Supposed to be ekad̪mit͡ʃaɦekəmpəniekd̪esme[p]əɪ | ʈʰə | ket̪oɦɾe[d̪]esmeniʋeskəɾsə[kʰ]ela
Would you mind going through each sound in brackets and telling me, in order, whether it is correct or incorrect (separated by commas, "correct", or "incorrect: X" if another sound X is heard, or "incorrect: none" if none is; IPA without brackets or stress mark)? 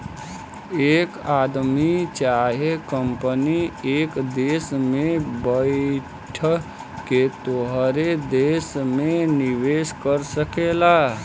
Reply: incorrect: b, correct, incorrect: k